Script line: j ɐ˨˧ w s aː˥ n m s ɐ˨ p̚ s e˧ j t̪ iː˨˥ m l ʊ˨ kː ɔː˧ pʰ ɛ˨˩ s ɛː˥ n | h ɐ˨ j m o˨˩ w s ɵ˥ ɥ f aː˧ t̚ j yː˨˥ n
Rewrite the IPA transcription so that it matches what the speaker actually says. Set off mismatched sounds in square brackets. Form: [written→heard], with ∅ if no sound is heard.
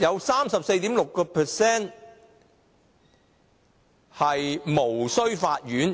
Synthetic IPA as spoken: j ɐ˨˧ w s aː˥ [n→∅] m s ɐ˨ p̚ s e˧ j t̪ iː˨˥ m l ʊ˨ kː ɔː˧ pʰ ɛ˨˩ s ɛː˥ n | h ɐ˨ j m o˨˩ w s ɵ˥ ɥ f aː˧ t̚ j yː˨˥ n